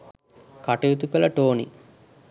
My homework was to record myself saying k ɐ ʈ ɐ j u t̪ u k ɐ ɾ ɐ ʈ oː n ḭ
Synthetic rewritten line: k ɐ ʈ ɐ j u t̪ u k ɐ l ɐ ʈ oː n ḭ